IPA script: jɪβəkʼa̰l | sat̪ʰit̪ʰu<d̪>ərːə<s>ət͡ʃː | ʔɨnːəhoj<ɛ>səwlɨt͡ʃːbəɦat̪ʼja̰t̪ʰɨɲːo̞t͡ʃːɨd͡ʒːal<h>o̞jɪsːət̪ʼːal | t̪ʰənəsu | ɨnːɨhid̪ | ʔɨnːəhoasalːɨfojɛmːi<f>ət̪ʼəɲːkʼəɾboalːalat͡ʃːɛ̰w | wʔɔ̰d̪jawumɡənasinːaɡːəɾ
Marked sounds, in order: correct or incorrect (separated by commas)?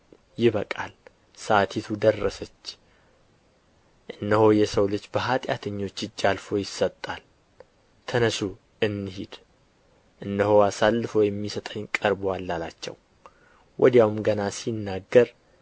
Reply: correct, correct, correct, incorrect, incorrect